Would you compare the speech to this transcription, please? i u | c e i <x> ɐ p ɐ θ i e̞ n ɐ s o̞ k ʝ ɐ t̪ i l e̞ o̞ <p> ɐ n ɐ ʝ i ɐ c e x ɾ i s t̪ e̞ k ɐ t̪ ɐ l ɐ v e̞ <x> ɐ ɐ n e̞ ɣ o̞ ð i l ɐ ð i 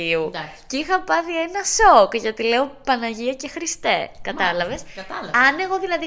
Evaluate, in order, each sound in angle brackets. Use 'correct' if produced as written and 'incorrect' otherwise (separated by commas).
correct, correct, incorrect